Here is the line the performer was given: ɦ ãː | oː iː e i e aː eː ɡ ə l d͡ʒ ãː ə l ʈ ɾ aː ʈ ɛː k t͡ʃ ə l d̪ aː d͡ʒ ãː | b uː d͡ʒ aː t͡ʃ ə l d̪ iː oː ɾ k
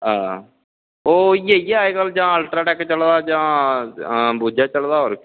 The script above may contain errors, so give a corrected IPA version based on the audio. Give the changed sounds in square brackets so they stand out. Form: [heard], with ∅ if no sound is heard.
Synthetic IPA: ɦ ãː | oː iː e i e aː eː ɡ ə l d͡ʒ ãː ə l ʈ ɾ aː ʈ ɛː k t͡ʃ ə l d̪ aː d͡ʒ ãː | b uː d͡ʒ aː t͡ʃ ə l d̪ [aː] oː ɾ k